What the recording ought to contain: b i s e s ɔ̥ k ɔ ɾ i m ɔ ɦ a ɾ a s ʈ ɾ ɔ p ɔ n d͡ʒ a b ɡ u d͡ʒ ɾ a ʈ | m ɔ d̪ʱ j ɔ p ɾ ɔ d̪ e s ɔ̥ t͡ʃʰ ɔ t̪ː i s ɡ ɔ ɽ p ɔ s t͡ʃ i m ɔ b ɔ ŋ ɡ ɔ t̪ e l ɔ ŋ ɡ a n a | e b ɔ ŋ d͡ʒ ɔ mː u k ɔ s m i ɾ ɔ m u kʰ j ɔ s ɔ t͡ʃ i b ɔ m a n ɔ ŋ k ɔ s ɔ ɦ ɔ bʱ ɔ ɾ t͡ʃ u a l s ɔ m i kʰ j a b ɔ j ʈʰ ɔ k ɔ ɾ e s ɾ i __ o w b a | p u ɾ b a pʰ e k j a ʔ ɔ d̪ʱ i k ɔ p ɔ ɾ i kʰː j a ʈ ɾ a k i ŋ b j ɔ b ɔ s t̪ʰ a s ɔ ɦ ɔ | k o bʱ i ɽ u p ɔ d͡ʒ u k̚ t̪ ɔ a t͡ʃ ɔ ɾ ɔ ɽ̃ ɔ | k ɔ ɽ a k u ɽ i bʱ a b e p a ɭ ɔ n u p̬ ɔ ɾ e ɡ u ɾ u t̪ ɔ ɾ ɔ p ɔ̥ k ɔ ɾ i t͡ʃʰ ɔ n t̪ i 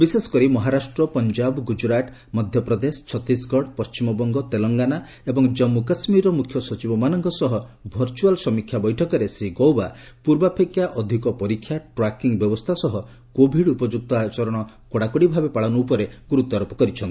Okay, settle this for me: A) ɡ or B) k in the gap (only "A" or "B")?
A